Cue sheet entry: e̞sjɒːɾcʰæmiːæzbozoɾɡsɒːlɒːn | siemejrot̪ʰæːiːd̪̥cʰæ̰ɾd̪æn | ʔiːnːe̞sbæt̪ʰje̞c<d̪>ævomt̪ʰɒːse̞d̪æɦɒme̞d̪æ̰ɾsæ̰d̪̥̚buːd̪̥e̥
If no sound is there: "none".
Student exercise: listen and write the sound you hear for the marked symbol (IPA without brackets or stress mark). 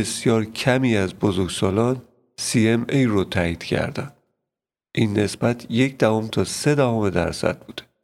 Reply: d̪